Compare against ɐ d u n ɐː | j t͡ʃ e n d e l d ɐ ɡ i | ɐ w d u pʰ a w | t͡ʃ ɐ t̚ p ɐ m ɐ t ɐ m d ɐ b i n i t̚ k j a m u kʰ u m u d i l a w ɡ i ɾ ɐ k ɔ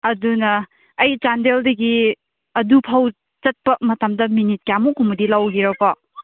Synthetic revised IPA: ɐ d u n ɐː | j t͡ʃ a n d e l d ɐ ɡ i | ɐ d u pʰ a w | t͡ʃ ɐ t̚ p ɐ m ɐ t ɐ m d ɐ m i n i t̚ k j a m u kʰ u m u d i l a w ɡ i ɾ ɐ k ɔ